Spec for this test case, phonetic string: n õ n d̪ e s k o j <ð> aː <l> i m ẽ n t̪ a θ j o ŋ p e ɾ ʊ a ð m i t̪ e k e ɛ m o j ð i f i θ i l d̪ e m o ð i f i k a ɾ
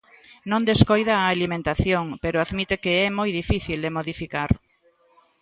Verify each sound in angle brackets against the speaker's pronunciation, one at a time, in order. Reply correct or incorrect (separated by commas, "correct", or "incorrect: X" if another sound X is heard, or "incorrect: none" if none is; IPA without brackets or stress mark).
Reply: correct, correct